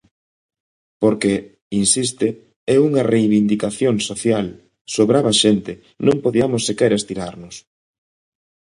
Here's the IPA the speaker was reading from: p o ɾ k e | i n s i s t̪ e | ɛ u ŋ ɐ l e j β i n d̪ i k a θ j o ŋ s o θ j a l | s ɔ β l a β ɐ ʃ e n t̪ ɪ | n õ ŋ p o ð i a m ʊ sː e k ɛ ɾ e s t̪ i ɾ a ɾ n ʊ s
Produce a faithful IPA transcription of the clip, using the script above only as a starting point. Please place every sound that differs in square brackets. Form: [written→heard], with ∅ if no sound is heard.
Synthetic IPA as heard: p o ɾ k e | i n s i s t̪ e | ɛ u ŋ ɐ [l→r] e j β i n d̪ i k a θ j o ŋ s o θ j a l | s [ɔ→o] β [l→ɾ] a β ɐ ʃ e n t̪ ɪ | n õ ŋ p o ð i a m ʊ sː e k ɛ ɾ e s t̪ i ɾ a ɾ n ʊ s